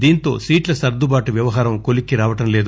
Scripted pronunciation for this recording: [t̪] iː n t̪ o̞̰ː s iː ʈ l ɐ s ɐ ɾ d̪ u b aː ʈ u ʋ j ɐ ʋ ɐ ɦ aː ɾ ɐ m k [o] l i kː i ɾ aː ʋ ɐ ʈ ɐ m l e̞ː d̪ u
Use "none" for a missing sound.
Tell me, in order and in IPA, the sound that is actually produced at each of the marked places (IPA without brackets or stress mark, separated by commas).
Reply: d̪, o